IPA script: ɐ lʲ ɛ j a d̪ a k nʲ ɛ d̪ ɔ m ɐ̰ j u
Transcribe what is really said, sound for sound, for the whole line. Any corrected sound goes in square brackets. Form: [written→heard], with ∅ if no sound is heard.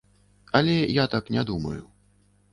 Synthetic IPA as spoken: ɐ lʲ ɛ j a [d̪→t̪] a k nʲ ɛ d̪ [ɔ→u] m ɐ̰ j u